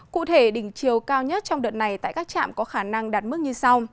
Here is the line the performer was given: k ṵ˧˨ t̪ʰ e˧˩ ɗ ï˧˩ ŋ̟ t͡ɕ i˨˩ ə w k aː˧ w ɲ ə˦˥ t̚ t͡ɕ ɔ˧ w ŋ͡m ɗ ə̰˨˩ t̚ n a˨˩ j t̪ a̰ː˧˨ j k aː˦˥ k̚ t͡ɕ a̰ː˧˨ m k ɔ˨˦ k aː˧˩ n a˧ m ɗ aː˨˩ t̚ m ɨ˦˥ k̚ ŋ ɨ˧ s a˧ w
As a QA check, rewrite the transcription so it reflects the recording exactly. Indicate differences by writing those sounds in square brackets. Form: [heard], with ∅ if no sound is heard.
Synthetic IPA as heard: k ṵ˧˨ t̪ʰ e˧˩ ɗ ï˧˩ ŋ̟ t͡ɕ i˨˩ ə w k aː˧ w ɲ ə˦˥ t̚ t͡ɕ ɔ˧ w ŋ͡m ɗ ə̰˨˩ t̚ n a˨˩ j t̪ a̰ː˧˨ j k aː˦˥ k̚ t͡ɕ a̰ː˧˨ m k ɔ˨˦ [x] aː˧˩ n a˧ [ŋ] ɗ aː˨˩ t̚ m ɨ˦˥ k̚ [ɲ] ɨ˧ s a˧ w